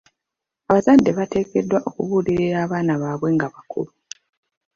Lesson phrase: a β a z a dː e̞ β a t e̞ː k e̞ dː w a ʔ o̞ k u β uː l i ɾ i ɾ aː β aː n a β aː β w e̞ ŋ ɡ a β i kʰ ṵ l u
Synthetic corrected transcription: a β a z a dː e̞ β a t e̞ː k e̞ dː w a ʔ o̞ k u β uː l i ɾ i ɾ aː β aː n a β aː β w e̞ ŋ ɡ a β a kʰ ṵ l u

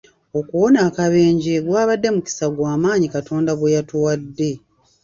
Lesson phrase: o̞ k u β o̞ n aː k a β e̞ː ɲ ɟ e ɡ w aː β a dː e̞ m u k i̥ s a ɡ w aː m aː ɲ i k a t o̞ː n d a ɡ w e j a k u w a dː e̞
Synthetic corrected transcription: o̞ k u w o̞ n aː k a β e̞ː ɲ ɟ e ɡ w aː β a dː e̞ m u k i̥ s a ɡ w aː m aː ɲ i k a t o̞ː n d a ɡ w e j a t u w a dː e̞

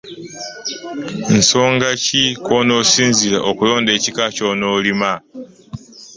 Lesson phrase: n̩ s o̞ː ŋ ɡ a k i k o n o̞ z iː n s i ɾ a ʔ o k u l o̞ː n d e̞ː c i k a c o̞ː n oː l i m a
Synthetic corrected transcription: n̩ s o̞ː ŋ ɡ a c i k o n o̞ s iː n z i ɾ a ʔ o k u l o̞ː n d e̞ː c i k a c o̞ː n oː l i m a

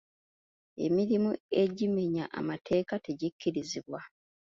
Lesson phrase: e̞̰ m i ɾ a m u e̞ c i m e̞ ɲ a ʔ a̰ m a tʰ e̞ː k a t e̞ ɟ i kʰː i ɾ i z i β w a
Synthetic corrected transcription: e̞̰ m i ɾ i m u e̞ ɟ i m e̞ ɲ a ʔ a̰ m a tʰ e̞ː k a t e̞ ɟ i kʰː i ɾ i z i β w a

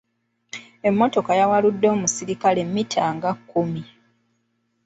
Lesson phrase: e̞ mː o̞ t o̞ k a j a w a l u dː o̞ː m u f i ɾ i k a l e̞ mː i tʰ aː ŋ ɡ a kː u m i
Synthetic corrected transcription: e̞ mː o̞ t o̞ k a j a w a l u dː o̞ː m u s i ɾ i k a l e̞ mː i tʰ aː ŋ ɡ a kː u m i

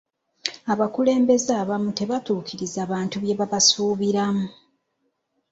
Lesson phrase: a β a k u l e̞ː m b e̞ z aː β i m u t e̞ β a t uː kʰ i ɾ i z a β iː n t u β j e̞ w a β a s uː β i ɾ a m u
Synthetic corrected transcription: a β a k u l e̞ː m b e̞ z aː β a m u t e̞ β a t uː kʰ i ɾ i z a β aː n t u β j e̞ β a β a s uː β i ɾ a m u

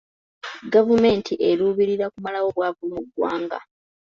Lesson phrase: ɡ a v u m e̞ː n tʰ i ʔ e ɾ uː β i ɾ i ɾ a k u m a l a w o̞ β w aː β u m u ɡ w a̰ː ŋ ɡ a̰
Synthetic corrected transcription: ɡ a v u m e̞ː n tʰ i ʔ e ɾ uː β i ɾ i ɾ a k u m a l a w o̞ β w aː v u m u ɡ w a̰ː ŋ ɡ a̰

